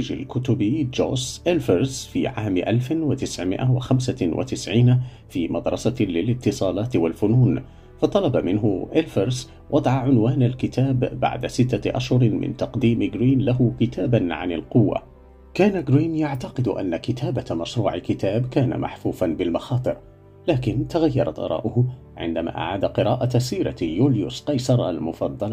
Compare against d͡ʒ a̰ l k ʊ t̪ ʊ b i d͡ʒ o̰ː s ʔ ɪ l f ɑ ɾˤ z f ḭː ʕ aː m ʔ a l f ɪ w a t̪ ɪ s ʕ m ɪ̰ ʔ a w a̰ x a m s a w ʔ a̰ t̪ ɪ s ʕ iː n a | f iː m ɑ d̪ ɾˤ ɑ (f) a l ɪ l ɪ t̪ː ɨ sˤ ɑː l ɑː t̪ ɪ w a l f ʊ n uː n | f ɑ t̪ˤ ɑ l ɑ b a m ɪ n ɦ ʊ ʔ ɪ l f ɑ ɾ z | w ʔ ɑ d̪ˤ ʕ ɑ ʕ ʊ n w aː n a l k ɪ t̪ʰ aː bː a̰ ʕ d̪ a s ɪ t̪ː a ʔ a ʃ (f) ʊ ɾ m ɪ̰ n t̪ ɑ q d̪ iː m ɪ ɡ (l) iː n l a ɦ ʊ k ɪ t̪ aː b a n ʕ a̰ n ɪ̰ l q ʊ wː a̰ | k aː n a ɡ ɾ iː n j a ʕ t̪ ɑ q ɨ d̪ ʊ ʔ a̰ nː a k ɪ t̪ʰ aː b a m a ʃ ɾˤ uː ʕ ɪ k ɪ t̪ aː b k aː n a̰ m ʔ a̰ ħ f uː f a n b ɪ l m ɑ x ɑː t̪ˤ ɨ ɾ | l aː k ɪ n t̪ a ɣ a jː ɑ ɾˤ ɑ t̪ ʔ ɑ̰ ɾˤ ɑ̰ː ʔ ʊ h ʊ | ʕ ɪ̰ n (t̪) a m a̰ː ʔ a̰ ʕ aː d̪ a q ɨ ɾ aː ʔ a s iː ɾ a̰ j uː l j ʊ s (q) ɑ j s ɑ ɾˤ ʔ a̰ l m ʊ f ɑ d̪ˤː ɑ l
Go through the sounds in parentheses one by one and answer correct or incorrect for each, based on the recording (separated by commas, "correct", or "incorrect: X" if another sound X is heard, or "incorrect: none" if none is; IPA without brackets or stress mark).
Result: incorrect: s, incorrect: h, incorrect: ɾ, incorrect: d̪, correct